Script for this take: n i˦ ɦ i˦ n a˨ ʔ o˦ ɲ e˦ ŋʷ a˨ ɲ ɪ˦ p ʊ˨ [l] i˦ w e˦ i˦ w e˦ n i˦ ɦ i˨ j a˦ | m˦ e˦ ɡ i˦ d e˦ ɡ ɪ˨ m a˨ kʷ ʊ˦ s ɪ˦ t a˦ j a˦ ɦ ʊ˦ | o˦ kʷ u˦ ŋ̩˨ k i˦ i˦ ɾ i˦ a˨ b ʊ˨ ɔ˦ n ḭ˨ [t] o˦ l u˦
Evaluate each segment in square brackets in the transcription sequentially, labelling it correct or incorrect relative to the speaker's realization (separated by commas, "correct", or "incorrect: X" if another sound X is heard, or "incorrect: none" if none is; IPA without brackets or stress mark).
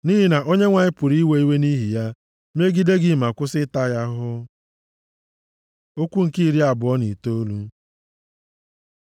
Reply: incorrect: ɾ, correct